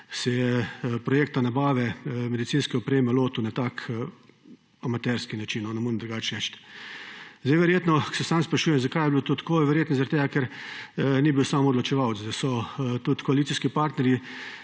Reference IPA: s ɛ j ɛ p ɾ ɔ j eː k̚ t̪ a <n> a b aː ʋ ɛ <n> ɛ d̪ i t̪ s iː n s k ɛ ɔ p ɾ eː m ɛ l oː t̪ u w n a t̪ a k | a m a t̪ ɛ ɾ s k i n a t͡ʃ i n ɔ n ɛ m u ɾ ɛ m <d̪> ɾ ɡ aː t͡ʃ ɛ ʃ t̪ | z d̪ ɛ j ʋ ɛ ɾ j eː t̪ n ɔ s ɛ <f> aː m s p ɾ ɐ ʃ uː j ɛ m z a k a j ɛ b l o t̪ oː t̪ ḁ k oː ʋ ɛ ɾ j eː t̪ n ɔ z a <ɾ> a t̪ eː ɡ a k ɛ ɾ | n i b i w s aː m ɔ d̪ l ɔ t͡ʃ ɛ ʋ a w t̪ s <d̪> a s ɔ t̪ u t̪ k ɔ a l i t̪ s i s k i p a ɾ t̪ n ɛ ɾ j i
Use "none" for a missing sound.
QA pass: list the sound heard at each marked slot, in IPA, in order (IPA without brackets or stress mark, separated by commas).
n, m, d̪, s, ɾ, d̪